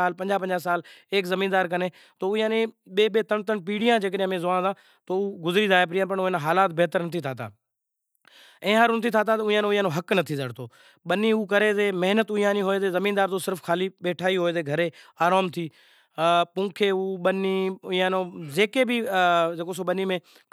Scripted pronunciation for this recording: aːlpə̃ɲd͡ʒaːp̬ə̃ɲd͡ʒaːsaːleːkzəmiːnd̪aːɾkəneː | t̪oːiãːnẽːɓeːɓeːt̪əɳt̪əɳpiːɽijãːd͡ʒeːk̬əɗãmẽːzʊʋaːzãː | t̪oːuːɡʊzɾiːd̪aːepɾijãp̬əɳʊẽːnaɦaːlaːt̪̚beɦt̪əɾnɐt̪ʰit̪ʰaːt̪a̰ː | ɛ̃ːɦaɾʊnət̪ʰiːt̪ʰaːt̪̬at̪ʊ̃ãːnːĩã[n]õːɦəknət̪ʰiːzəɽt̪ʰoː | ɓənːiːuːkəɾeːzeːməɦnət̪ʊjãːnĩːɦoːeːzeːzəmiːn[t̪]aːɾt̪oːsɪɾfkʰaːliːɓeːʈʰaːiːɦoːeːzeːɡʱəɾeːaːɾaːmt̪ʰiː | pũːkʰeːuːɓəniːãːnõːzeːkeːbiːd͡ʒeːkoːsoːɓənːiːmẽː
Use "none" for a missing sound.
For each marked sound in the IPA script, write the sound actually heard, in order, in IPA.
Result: n, d̪

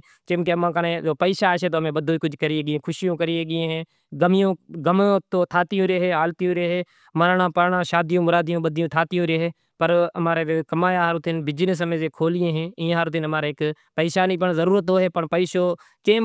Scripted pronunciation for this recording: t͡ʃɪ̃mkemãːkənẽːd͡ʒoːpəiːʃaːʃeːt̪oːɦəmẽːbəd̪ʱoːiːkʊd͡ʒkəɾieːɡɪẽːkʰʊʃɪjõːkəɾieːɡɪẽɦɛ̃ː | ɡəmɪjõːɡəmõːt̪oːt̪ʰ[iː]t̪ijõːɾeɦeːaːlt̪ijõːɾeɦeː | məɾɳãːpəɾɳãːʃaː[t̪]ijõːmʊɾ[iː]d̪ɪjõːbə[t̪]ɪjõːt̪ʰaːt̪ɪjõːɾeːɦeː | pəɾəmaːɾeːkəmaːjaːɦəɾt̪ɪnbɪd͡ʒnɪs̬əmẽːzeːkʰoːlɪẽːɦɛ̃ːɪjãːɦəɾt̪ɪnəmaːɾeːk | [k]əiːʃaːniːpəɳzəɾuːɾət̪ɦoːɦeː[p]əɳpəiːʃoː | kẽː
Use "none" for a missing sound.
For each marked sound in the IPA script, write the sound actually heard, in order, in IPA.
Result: aː, d̪, aː, d̪, p, p

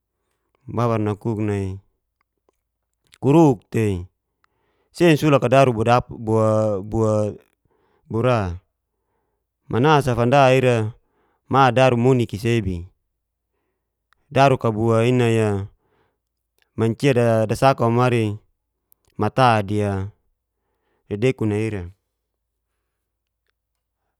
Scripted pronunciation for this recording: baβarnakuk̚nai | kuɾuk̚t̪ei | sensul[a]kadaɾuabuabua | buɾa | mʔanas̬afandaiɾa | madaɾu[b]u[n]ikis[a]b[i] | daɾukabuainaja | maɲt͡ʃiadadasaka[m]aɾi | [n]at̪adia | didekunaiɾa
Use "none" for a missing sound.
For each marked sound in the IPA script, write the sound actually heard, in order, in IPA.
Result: a, m, n, e, i, m, m

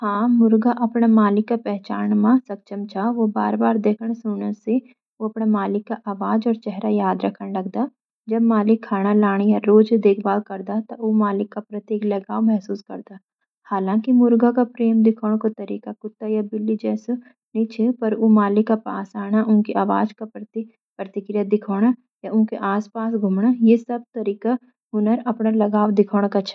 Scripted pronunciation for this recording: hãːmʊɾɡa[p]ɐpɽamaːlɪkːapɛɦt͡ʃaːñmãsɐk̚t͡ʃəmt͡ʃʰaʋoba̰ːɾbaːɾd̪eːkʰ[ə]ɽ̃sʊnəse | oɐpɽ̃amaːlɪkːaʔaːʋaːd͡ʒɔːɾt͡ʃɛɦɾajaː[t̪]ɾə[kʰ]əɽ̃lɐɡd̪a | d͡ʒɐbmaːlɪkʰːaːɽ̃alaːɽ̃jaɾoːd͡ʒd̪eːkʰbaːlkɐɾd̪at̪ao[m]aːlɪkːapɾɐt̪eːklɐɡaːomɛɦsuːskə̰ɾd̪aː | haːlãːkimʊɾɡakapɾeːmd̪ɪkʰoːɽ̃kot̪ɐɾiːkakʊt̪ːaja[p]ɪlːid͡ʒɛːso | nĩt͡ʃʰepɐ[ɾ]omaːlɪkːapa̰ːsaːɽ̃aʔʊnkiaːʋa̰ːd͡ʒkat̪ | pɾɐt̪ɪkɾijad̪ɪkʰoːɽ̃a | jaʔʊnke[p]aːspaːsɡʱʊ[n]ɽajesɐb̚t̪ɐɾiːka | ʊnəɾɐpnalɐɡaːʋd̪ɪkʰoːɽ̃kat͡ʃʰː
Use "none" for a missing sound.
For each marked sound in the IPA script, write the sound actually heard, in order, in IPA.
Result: ʔ, ə, d̪, kʰ, m, b, ɾ, ʔ, m

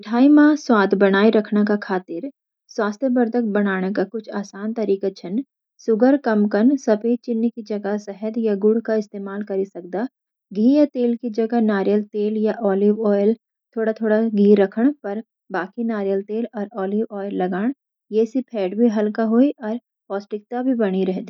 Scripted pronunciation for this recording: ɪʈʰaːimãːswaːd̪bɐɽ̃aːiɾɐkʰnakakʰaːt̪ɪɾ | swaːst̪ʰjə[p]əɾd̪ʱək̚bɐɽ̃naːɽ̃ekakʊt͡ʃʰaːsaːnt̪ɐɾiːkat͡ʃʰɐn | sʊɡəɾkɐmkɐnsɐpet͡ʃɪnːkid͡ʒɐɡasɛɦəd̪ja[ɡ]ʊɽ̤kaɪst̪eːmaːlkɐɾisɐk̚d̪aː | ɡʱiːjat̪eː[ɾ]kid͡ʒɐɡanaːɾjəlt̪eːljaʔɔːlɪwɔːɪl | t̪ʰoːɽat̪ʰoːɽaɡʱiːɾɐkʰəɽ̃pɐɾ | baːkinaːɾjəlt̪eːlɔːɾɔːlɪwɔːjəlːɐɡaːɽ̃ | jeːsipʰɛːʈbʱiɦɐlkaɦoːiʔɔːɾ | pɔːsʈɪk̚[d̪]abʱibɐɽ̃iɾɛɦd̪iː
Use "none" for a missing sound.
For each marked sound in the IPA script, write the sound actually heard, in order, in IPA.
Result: b, ɡ, l, t̪

